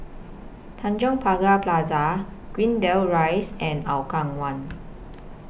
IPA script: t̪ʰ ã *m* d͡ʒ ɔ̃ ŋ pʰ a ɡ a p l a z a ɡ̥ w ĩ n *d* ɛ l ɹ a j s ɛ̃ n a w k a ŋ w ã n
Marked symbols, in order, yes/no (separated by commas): no, yes